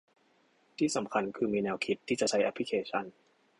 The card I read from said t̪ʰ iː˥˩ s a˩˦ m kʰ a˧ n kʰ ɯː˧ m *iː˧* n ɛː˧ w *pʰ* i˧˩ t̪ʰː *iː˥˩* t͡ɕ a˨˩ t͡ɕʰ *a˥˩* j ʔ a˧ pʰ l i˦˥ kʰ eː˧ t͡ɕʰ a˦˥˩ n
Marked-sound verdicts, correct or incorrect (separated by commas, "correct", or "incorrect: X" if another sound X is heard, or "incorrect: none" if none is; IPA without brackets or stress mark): correct, incorrect: kʰ, correct, incorrect: a˦˥